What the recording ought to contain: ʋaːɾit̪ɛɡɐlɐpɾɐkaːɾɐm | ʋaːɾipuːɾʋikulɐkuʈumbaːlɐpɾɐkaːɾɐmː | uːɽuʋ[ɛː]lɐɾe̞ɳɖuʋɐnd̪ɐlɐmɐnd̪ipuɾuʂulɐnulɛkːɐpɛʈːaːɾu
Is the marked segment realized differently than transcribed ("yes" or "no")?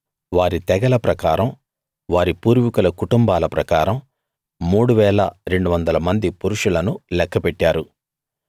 no